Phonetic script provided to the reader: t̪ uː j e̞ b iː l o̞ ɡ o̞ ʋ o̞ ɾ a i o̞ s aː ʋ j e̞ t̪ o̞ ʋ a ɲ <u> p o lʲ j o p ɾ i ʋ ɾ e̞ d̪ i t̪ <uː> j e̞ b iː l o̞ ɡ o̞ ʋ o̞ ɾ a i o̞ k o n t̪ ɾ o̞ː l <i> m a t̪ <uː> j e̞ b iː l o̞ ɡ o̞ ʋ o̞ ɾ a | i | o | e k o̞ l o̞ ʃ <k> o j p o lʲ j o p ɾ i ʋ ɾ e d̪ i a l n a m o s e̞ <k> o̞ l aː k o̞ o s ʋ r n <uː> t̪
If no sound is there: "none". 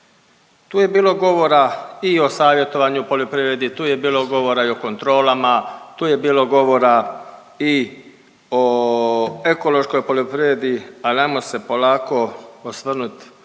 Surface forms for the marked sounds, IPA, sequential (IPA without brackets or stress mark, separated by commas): u, uː, a, uː, k, p, u